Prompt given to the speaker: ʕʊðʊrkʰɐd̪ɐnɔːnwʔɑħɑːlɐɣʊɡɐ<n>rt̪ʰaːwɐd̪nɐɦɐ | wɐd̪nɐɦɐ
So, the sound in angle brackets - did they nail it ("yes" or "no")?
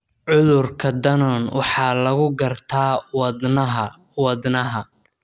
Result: no